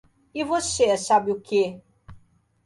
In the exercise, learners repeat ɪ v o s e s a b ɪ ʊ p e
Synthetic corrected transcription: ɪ v o s e s a b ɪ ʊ k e

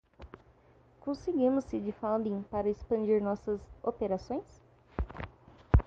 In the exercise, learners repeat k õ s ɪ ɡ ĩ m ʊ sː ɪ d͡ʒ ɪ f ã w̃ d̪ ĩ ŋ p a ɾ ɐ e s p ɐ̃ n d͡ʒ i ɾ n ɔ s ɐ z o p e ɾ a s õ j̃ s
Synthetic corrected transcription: k õ s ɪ ɡ ĩ m ʊ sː ɪ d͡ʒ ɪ f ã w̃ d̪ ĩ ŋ p a ɾ ɐ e s p ɐ̃ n d͡ʒ i ɾ n ɔ s ɐ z o p e ɾ a s õ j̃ s

